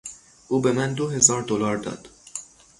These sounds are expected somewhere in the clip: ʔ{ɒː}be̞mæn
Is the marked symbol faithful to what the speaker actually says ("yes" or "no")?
no